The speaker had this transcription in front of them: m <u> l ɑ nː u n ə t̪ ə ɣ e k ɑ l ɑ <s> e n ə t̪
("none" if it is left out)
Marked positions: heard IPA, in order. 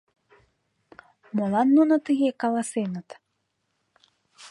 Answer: o, s

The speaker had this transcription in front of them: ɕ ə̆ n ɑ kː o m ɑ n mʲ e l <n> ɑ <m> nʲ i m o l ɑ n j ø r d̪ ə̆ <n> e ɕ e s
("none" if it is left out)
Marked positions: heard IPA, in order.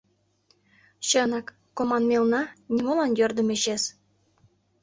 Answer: n, none, m

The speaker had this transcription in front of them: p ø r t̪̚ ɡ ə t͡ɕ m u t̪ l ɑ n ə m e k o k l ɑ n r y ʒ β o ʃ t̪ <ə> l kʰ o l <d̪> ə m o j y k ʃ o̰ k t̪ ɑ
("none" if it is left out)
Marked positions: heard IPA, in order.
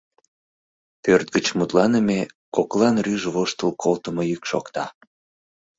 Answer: ə, t̪

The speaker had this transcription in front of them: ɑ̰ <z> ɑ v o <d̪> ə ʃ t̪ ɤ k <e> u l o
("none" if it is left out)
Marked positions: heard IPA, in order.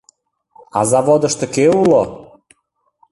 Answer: z, d̪, e

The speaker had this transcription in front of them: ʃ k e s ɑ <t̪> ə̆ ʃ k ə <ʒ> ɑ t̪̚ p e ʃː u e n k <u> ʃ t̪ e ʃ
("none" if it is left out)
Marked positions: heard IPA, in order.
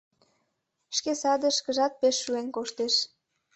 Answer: d̪, ʒ, o

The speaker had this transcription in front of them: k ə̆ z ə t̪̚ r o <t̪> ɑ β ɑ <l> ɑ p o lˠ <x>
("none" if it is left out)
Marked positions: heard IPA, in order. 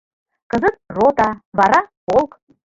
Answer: t̪, ɾ, k

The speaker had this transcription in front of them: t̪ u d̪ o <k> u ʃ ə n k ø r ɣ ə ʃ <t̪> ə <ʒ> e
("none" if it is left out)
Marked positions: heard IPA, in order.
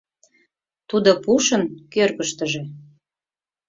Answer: p, t̪, ʒ

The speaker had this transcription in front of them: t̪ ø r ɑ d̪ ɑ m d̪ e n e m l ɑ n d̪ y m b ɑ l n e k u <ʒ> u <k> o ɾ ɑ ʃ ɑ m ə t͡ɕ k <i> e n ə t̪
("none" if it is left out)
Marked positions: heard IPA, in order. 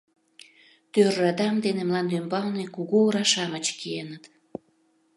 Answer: ɣ, none, i

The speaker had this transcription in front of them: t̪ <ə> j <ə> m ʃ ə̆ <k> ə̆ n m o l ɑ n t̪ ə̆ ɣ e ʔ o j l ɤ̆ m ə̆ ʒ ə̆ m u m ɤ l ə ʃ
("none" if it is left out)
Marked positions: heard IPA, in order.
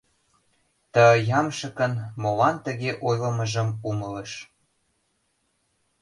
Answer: ə, ɑ, k

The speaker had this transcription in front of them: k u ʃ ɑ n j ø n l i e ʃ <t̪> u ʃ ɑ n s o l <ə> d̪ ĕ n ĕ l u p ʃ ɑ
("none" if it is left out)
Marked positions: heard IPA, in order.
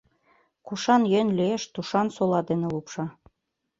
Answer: t̪, ɑ

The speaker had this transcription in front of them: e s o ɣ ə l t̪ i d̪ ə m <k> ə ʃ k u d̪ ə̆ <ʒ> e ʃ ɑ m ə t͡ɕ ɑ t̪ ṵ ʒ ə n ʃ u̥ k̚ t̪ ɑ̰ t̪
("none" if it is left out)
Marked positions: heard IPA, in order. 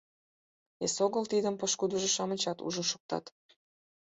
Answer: p, ʒ

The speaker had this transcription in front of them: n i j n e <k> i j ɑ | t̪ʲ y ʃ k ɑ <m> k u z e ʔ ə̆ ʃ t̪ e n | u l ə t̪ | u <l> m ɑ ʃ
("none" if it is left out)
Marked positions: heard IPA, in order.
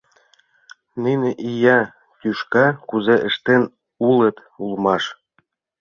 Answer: ʔ, none, l

